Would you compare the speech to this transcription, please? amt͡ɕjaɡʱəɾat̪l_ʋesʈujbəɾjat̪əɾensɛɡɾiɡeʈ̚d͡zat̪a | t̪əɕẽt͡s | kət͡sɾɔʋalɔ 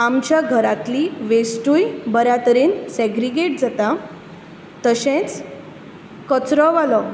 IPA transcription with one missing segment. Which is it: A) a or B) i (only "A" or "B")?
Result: B